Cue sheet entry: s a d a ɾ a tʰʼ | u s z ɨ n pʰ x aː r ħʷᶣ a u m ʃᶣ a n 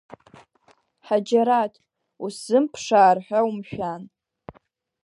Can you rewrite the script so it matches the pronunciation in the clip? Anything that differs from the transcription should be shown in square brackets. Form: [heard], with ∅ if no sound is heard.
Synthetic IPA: [ħ] a [d͡ʒ] a ɾ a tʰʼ | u s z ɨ [m] pʰ [ʂ] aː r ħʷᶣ a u m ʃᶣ a n